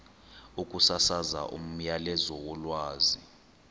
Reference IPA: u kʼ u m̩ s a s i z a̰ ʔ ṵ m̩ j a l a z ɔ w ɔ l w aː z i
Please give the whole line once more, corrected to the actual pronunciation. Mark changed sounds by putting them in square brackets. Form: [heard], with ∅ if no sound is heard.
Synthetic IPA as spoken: u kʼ u [∅] s a s [a] z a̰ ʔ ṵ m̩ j a l [ɛ] z ɔ w ɔ l w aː z i